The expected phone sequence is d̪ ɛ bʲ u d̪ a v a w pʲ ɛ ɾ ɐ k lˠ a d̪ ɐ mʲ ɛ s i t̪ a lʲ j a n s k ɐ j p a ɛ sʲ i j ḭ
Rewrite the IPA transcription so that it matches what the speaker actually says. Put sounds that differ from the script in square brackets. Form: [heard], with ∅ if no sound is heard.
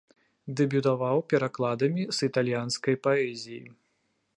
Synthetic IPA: d̪ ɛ bʲ u [t̪] a v a w pʲ ɛ ɾ [a] k lˠ a d̪ ɐ mʲ [i] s i t̪ a lʲ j a n s k ɐ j p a ɛ [zʲ] i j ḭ